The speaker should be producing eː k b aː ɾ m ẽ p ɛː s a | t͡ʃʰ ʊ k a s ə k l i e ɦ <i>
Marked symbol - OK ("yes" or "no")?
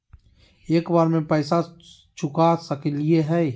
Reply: no